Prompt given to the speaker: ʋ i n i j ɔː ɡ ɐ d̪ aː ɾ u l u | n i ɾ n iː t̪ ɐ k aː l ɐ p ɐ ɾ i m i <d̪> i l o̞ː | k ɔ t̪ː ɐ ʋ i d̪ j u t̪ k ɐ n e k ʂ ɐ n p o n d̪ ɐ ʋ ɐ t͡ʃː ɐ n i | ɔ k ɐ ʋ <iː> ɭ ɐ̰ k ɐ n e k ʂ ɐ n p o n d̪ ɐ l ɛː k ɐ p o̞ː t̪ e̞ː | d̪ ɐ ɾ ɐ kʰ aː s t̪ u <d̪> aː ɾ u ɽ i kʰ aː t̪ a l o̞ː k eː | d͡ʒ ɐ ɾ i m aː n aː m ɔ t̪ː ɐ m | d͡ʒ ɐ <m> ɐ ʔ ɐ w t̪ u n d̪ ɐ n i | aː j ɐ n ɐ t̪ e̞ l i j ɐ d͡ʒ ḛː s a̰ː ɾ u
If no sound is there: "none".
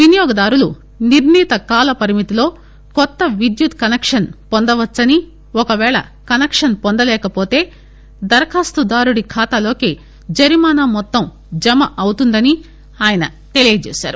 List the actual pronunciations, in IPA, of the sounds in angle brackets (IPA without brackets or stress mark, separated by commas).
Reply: t̪, ɛː, d̪, m